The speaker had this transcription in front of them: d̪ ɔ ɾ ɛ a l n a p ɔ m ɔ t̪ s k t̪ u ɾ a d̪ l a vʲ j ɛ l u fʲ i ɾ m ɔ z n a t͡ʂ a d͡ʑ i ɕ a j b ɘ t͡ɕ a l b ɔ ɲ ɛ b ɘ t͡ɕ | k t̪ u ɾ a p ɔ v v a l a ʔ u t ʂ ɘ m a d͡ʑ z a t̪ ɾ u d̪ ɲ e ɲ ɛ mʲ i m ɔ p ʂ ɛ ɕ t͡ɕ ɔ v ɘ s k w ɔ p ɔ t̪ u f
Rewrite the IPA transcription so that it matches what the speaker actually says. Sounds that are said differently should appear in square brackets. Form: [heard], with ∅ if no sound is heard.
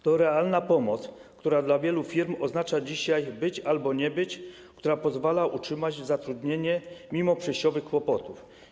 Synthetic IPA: [t̪] ɔ ɾ ɛ a l n a p ɔ m ɔ t̪ s k t̪ u ɾ a d̪ l a vʲ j ɛ l u fʲ i ɾ m ɔ z n a t͡ʂ a d͡ʑ i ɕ a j b ɘ t͡ɕ a l b ɔ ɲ ɛ b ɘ t͡ɕ | k t̪ u ɾ a p ɔ [z] v a l a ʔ u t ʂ ɘ m a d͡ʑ z a t̪ ɾ u d̪ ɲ e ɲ ɛ mʲ i m ɔ p ʂ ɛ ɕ t͡ɕ ɔ v ɘ [x] k w ɔ p ɔ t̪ u f